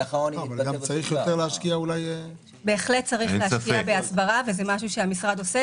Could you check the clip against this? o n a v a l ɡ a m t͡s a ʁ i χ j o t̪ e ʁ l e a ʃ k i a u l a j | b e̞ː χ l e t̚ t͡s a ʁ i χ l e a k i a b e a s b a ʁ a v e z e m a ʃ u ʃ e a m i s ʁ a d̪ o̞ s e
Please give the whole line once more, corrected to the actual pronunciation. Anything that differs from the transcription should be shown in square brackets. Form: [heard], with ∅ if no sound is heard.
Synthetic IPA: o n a v a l ɡ a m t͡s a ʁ i χ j o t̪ e ʁ l e a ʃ k i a u l a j | b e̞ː χ l e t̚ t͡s a ʁ i χ l e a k i a b e a s b a ʁ a v e z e m a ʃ u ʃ e a m i s ʁ a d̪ o̞ s e